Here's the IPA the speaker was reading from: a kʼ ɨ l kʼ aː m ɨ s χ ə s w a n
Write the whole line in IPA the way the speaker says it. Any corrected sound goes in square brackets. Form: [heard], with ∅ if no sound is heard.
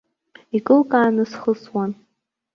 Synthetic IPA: [i] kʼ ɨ l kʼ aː [n] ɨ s χ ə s w a n